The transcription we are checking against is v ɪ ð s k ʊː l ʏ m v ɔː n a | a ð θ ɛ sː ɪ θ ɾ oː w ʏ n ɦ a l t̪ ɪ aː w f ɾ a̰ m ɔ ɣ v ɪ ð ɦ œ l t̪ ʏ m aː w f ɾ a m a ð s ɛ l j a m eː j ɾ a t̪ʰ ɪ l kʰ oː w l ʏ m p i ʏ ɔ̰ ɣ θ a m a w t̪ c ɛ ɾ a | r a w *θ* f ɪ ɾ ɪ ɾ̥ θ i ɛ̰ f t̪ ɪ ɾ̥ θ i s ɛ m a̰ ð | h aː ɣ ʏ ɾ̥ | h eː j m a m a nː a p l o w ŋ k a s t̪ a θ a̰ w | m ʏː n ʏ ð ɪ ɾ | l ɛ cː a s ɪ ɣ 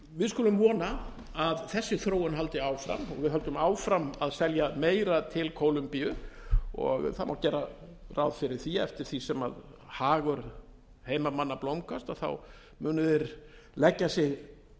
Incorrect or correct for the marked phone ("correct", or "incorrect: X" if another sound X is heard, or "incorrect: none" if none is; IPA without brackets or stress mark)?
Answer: incorrect: ð